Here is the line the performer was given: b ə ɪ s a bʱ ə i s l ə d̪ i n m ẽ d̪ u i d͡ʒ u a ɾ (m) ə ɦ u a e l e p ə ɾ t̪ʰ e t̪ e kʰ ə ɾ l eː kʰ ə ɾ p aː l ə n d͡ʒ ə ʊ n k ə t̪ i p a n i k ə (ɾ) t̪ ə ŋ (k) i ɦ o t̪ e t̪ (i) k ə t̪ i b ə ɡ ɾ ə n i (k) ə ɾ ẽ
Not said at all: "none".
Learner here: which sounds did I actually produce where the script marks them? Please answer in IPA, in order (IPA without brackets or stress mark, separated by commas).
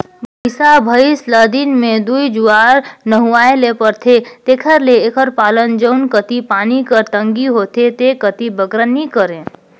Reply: n, ɾ, ɡ, e, k